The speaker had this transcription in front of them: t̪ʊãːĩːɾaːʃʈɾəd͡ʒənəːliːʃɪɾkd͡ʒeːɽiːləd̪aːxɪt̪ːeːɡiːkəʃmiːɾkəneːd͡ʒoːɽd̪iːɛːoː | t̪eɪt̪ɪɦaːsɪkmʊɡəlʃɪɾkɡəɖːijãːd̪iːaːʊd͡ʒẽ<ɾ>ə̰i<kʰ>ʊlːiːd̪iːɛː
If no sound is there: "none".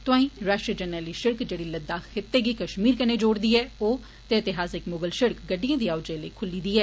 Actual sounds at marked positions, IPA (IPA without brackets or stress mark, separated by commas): l, kʰ